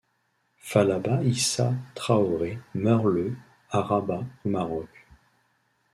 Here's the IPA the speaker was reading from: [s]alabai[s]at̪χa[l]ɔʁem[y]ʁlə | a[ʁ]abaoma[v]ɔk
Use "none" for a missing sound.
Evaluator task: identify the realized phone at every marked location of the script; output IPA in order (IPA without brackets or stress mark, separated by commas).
f, s, none, œ, ʁ, ʁ